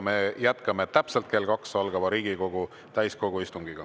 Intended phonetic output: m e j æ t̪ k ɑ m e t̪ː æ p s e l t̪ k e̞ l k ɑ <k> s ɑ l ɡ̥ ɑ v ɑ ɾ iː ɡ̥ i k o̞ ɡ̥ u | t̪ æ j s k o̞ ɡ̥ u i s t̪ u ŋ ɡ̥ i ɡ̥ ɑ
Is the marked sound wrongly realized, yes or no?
no